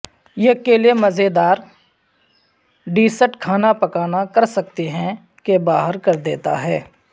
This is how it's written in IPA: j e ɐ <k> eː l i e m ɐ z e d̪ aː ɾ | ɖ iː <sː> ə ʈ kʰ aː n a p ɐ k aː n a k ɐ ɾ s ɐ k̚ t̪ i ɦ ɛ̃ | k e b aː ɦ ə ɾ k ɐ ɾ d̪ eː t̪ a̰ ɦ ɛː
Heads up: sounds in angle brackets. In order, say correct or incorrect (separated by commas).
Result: correct, incorrect